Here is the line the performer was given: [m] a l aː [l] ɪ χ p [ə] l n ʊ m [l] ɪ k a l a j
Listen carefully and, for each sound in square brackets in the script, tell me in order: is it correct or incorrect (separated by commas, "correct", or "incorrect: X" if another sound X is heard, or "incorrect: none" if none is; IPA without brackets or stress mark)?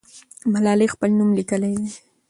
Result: correct, correct, incorrect: a, correct